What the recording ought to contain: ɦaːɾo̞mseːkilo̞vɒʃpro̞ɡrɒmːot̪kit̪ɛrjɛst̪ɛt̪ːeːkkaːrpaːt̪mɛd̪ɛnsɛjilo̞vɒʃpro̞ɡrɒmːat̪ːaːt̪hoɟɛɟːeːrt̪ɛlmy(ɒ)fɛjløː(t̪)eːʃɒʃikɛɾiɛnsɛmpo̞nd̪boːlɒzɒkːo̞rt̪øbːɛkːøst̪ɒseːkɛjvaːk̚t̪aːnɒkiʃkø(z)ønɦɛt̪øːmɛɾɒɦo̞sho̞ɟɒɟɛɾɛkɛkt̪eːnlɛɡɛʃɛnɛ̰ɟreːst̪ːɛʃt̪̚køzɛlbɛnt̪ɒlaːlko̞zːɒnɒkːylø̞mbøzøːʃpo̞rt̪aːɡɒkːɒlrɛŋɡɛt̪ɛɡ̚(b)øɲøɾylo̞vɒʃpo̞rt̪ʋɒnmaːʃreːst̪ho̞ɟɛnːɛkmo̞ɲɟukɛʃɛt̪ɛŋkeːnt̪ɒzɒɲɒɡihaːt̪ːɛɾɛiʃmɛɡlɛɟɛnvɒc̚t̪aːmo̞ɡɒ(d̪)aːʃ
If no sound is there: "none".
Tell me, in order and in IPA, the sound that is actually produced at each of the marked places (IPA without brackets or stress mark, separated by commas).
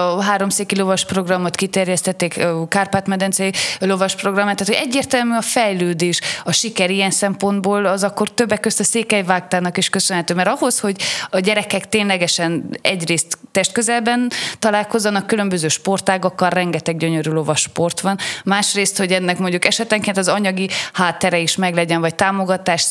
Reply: ɒ, d̪, s, ɟ, t̪